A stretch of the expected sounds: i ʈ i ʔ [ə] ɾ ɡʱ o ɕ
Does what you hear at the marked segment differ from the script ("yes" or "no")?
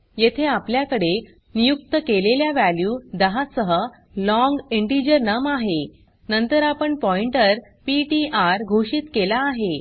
yes